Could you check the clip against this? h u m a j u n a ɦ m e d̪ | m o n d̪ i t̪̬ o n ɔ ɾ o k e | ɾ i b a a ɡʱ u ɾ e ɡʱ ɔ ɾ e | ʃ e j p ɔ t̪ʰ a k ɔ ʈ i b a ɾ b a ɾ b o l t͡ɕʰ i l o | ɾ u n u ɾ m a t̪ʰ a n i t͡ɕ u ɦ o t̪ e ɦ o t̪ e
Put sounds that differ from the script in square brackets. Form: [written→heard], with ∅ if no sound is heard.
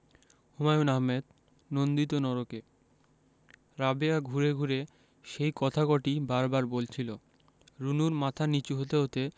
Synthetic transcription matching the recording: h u m a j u n a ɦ m e d̪ | [m→n] o n d̪ i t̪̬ o n ɔ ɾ o k e | ɾ [i→a] b [a→e] a ɡʱ u ɾ e ɡʱ [ɔ→u] ɾ e | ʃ e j [p→k] ɔ t̪ʰ a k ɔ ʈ i b a ɾ b a ɾ b o l t͡ɕʰ i l o | ɾ u n u ɾ m a t̪ʰ a n i t͡ɕ u ɦ o t̪ e ɦ o t̪ e